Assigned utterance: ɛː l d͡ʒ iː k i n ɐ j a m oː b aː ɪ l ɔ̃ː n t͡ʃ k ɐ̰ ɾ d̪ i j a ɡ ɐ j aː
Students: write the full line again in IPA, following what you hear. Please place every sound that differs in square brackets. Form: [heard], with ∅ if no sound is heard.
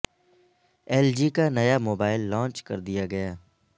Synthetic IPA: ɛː l d͡ʒ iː k [a] n ɐ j a m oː b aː ɪ [lː] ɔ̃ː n t͡ʃ k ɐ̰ ɾ d̪ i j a ɡ ɐ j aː